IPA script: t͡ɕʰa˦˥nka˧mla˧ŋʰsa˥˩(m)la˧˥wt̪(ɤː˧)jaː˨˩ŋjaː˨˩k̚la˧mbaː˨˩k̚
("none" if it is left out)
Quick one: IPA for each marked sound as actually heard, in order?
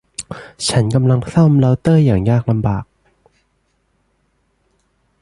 m, ɤː˥˩

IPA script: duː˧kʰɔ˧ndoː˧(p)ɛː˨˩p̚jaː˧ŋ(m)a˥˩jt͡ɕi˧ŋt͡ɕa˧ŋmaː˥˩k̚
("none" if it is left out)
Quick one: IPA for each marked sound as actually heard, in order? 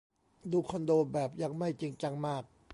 b, m

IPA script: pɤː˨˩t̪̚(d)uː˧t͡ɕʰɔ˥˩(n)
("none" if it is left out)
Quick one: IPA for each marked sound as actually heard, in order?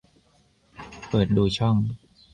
d, ŋ

